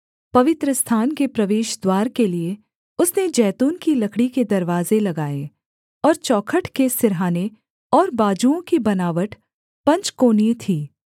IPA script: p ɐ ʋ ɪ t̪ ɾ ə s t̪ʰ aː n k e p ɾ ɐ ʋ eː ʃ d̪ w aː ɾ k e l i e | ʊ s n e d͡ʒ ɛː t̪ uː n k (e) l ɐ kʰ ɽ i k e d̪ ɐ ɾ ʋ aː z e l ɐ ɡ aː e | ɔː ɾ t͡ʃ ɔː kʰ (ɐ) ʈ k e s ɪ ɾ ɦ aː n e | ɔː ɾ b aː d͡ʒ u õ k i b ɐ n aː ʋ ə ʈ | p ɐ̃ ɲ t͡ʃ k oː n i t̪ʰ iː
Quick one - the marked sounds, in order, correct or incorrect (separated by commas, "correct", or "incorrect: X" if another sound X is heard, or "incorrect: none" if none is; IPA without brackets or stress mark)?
incorrect: i, incorrect: ə